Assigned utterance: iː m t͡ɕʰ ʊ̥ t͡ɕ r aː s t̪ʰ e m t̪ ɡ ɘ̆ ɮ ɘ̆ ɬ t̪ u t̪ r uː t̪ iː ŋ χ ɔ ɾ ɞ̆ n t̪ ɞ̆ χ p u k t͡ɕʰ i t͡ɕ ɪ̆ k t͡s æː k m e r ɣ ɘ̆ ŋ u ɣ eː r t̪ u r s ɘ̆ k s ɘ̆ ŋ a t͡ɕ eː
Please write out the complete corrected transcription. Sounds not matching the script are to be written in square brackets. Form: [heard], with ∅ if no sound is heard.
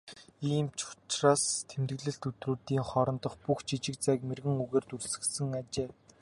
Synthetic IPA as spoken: iː m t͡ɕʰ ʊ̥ t͡ɕ r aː s t̪ʰ e m t̪ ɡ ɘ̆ ɮ ɘ̆ ɬ t̪ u t̪ r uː t̪ iː ŋ χ ɔ ɾ ɞ̆ n t̪ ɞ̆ χ p u [x] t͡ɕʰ i t͡ɕ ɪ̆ k t͡s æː k m e r ɣ ɘ̆ ŋ u ɣ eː r t̪ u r s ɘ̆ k s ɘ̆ ŋ a t͡ɕ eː